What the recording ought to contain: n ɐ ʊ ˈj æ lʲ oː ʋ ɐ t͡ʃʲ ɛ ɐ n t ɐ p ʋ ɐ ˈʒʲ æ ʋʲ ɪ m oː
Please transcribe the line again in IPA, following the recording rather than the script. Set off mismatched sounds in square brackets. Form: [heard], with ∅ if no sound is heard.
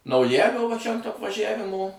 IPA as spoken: n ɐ ʊ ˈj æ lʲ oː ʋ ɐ t͡ʃʲ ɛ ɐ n t ɐ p ʋ ɐ ˈʒʲ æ ʋʲ ɪ m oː